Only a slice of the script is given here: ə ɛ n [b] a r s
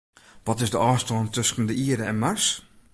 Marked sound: incorrect: m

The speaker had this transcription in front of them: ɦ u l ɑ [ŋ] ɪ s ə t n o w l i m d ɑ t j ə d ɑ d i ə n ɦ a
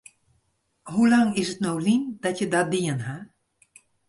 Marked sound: correct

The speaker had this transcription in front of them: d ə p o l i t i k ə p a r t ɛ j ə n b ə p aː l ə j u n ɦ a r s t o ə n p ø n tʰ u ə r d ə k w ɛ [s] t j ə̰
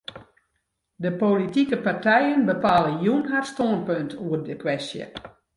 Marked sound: correct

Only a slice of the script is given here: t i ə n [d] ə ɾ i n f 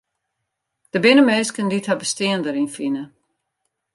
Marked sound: correct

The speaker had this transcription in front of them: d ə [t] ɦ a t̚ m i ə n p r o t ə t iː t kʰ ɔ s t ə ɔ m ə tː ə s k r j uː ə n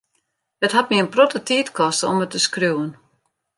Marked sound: correct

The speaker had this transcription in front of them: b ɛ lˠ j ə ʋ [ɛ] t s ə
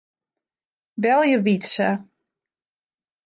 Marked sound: incorrect: i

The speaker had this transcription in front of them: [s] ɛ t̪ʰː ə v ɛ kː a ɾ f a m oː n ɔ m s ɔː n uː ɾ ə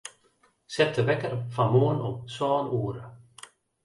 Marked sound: correct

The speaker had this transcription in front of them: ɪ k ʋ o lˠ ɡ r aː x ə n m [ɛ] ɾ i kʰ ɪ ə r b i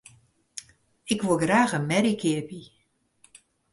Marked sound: correct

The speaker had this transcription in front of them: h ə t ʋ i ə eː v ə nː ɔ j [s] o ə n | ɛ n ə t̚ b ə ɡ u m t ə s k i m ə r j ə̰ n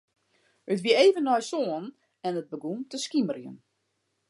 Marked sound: correct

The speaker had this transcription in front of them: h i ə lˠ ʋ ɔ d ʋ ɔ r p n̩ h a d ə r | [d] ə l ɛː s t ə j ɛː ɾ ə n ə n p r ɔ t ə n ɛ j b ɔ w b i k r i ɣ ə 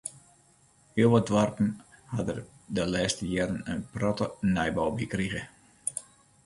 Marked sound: correct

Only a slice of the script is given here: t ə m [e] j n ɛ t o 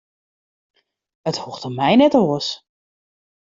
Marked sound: incorrect: ɛ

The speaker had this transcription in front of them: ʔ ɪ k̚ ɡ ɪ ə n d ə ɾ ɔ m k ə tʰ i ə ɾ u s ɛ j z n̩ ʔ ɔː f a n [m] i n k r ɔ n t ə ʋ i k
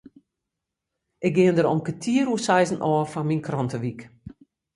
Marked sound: correct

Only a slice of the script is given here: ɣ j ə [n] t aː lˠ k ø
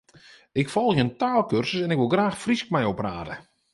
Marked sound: correct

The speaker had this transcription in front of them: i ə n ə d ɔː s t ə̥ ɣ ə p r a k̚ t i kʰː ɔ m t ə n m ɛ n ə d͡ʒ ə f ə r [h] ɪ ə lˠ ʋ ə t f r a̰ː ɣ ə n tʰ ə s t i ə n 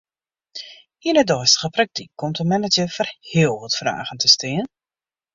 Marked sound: correct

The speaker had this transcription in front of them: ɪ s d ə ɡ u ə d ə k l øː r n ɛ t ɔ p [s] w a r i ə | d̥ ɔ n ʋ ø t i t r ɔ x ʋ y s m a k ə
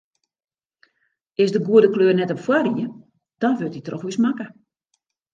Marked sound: incorrect: f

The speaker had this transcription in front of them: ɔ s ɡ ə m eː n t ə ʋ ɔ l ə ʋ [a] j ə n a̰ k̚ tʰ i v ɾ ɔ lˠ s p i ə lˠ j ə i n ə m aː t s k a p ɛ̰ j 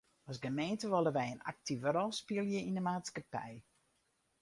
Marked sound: incorrect: ɛ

